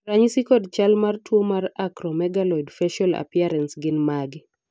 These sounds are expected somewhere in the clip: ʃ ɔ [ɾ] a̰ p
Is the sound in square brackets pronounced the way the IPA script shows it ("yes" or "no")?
no